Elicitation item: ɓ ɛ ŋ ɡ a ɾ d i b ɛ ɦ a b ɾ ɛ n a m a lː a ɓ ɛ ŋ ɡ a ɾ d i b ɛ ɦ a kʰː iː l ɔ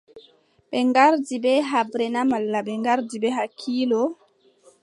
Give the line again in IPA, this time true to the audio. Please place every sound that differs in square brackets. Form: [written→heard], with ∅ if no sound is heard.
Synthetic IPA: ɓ ɛ ŋ ɡ a ɾ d i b ɛ ɦ a b ɾ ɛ n a m a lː a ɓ ɛ ŋ ɡ a ɾ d i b ɛ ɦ a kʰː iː l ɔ